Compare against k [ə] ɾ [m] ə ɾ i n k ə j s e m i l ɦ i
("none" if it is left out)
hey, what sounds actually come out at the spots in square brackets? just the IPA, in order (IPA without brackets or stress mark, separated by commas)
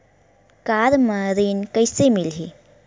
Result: a, m